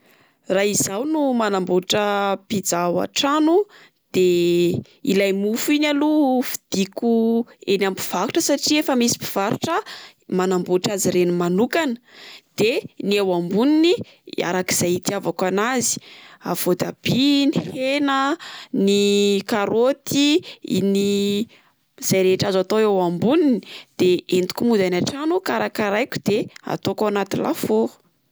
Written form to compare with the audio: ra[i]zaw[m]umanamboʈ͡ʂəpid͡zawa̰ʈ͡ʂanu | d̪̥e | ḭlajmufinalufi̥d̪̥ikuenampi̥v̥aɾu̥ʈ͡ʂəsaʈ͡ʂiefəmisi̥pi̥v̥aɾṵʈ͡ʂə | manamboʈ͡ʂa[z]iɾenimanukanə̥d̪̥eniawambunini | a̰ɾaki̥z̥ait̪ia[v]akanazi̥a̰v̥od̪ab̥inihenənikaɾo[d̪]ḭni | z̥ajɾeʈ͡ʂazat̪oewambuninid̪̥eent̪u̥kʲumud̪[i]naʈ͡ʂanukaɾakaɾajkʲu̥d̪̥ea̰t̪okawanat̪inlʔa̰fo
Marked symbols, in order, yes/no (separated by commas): yes, no, yes, yes, no, no